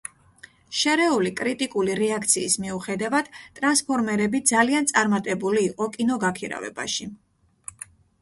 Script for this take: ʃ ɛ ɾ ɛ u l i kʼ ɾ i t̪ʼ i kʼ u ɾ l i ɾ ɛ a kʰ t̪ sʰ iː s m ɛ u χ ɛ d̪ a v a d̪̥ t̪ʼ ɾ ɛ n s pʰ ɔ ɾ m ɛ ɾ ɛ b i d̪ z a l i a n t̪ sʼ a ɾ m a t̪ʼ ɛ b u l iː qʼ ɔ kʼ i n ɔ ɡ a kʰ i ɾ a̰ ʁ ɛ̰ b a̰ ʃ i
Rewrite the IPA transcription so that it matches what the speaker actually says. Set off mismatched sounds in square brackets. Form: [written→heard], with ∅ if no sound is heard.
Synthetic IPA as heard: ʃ ɛ ɾ ɛ u l i kʼ ɾ i t̪ʼ i kʼ u [ɾ→∅] l i ɾ ɛ a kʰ t̪ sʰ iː s m [ɛ→i] u χ ɛ d̪ a v a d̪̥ t̪ʼ ɾ [ɛ→a] n s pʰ ɔ ɾ m ɛ ɾ ɛ b i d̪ z a l i a n t̪ sʼ a ɾ m a t̪ʼ ɛ b u l iː qʼ ɔ kʼ i n ɔ ɡ a kʰ i ɾ a̰ [ʁ→v] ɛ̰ b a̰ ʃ i